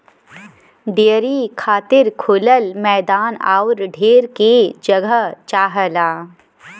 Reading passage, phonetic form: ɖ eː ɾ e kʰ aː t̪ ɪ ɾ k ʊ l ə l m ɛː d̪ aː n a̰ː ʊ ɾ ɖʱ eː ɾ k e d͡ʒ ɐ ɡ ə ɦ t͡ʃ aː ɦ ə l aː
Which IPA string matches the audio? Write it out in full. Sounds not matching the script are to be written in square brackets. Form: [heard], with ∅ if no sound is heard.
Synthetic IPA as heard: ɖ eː ɾ [i] kʰ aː t̪ ɪ ɾ [kʰ] ʊ l ə l m ɛː d̪ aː n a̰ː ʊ ɾ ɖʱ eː ɾ k e d͡ʒ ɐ ɡ ə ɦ t͡ʃ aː ɦ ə l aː